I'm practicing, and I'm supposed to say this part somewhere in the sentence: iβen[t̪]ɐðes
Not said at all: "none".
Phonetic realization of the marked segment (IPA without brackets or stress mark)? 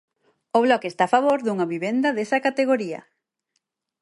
d̪